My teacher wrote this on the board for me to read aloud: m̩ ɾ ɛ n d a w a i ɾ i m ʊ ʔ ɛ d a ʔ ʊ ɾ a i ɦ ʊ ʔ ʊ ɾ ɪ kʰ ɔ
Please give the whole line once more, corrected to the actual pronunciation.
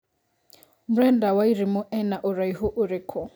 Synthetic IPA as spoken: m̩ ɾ ɛ n d a w a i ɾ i m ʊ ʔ ɛ n a ʔ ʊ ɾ a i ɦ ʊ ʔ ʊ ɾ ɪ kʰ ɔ